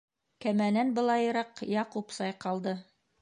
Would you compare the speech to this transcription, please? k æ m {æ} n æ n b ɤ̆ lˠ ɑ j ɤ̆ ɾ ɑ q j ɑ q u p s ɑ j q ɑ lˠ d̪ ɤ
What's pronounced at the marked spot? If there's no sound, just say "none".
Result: æ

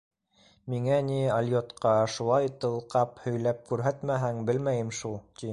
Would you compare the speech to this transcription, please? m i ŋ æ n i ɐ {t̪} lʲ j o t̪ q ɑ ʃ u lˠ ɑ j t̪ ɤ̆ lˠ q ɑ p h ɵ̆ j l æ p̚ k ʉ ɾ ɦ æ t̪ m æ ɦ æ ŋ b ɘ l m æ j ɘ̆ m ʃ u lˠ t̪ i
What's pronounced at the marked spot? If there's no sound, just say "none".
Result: none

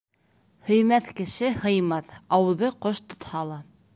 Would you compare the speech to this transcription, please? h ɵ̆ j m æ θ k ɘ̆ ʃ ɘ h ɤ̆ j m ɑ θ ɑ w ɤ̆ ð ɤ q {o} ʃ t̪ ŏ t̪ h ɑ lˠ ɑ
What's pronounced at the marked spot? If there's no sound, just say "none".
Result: o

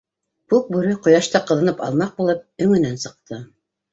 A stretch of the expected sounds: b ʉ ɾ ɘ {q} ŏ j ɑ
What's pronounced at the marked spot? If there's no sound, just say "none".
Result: q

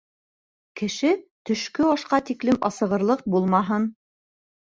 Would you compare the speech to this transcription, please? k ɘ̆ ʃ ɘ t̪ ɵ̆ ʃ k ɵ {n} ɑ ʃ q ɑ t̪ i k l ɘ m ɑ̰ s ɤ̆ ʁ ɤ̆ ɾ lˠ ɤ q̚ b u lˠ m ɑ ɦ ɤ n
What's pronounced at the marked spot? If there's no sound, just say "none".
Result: none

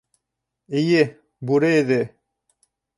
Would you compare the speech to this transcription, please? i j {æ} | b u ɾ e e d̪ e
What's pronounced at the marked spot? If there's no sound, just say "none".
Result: e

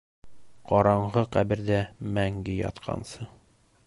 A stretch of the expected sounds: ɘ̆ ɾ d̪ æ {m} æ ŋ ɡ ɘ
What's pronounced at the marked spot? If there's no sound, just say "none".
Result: m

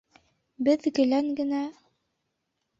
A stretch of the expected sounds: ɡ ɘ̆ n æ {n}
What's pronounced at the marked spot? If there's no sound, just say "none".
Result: none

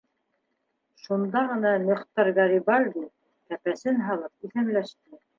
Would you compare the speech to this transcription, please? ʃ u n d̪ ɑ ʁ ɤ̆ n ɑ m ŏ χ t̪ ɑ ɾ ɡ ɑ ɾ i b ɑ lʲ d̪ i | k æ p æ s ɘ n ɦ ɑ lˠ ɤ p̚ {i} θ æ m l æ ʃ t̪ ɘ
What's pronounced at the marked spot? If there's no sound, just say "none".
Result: i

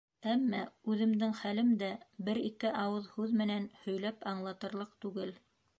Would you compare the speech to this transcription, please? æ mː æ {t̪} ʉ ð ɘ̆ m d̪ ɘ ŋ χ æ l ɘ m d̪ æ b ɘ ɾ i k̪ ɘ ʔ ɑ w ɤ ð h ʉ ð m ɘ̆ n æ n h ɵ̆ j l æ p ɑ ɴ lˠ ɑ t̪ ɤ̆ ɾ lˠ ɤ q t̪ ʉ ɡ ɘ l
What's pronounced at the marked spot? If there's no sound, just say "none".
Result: none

